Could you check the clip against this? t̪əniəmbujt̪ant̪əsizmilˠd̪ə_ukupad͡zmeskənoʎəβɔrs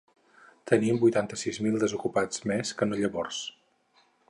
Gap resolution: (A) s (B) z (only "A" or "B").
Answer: B